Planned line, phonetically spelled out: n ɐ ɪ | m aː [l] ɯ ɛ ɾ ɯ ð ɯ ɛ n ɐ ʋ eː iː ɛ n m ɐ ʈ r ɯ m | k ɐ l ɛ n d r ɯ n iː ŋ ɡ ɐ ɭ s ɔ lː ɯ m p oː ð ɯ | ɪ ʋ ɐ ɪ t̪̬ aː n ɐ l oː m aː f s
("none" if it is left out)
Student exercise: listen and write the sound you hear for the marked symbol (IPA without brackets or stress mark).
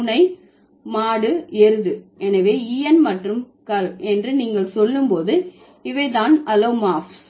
ɽ